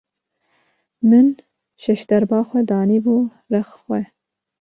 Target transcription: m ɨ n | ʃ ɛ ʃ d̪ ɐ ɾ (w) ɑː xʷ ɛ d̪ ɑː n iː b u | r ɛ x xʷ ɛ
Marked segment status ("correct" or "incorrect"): incorrect